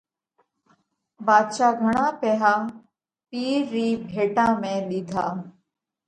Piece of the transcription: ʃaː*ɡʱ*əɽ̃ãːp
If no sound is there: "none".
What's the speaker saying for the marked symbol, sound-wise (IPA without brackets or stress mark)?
ɡʱ